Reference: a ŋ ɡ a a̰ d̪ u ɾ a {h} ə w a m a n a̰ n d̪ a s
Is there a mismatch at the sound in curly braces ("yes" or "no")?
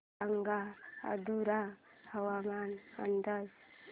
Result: no